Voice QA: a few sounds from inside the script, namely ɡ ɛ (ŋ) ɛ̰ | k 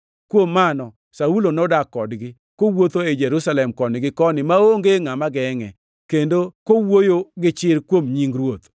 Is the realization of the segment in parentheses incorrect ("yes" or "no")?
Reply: no